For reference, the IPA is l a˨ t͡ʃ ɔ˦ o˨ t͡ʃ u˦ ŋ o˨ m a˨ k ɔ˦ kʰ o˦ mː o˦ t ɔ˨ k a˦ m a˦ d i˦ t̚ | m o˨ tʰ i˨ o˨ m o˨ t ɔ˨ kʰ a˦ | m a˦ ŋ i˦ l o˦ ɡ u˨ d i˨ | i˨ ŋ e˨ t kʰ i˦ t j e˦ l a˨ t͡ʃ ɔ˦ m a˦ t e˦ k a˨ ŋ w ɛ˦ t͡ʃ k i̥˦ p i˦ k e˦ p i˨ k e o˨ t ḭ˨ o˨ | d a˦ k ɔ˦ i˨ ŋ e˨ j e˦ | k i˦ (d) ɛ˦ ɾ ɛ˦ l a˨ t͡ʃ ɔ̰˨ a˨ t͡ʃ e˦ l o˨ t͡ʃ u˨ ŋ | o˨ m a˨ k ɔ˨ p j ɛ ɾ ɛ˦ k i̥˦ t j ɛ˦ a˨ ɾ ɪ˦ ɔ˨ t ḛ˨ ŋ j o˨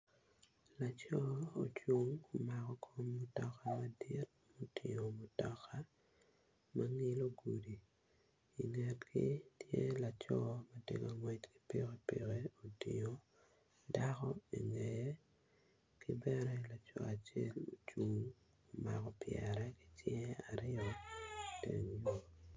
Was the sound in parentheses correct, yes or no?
no